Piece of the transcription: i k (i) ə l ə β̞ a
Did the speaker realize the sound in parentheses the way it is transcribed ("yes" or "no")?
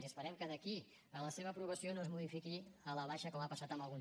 yes